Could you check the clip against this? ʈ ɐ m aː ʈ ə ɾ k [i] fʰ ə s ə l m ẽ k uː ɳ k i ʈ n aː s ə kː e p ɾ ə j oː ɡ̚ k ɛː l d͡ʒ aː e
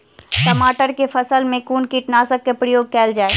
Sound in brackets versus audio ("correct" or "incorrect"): incorrect